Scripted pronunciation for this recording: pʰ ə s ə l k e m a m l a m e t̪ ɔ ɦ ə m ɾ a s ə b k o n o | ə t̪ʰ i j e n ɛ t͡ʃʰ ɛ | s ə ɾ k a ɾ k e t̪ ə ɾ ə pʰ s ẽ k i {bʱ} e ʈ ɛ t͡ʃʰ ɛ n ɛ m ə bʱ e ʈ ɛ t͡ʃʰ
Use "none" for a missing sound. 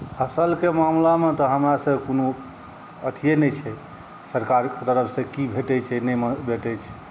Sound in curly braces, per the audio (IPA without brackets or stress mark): bʱ